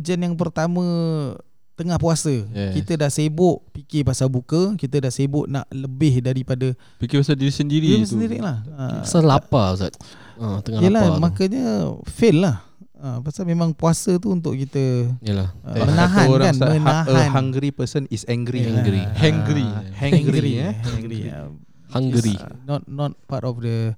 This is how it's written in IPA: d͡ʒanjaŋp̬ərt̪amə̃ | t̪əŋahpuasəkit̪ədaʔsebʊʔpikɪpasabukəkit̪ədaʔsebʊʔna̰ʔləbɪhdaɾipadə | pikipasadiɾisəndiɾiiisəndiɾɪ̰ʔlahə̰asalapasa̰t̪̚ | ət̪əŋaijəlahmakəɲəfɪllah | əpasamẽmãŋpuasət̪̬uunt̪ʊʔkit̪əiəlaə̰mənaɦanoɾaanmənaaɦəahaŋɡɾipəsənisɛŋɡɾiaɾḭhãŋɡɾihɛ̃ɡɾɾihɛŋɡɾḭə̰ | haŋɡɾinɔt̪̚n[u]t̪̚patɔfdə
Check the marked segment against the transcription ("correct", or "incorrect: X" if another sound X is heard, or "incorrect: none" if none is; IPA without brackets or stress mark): incorrect: ɔ